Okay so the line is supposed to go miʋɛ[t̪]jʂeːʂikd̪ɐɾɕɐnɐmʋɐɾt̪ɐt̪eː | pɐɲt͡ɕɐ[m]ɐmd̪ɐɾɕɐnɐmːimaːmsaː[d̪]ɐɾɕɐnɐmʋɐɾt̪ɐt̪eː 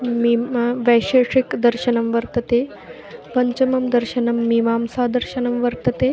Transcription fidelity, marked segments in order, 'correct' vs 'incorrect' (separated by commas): incorrect, correct, correct